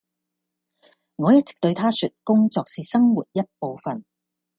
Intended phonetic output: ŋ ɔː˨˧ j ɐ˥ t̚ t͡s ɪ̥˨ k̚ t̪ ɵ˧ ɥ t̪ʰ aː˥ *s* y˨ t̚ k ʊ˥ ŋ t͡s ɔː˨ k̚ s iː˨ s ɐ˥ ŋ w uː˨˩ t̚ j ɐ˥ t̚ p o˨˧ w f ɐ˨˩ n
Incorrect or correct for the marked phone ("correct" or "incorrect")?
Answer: correct